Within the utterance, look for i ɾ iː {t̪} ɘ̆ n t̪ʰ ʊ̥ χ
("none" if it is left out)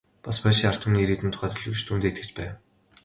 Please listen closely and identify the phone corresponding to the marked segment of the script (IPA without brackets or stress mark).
t̪